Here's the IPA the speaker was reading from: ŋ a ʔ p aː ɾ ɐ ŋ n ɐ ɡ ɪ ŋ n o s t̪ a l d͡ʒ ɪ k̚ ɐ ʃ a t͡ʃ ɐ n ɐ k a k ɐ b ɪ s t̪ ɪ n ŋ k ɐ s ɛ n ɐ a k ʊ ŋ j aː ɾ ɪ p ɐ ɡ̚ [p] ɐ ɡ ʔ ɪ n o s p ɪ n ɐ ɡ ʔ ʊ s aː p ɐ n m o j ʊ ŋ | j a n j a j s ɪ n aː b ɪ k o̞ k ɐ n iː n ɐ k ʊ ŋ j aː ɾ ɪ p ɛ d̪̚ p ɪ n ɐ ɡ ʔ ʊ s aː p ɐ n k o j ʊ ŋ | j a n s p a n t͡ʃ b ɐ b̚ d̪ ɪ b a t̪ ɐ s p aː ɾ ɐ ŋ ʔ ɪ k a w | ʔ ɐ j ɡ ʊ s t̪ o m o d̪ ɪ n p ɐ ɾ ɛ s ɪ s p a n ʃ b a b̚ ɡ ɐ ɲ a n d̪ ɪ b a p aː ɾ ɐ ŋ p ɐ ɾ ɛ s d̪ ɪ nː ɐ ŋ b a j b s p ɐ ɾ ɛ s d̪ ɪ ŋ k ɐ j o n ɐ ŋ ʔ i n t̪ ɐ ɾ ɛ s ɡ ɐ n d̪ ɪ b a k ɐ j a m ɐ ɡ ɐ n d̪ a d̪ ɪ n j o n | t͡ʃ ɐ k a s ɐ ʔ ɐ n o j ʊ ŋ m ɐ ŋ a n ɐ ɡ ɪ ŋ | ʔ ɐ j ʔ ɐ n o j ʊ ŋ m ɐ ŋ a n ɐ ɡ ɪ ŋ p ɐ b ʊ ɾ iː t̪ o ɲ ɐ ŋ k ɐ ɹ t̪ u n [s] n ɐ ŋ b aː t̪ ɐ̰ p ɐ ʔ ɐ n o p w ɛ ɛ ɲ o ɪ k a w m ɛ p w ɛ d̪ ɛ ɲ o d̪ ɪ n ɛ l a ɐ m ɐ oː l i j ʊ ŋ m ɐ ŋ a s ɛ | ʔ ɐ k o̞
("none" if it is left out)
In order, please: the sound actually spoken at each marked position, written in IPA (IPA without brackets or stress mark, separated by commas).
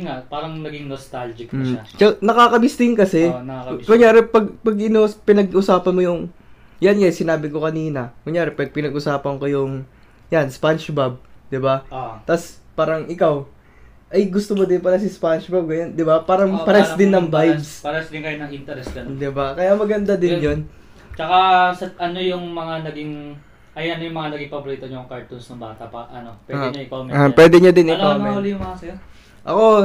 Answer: p, s